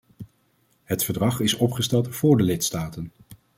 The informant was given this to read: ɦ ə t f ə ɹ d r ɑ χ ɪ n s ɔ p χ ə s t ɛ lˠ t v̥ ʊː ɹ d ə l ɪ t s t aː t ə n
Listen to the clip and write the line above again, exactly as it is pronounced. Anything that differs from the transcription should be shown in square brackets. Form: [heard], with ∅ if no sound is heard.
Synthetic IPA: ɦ ə t f ə ɹ d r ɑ χ ɪ [∅] s ɔ p χ ə s t ɛ lˠ t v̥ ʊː ɹ d ə l ɪ t s t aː t ə n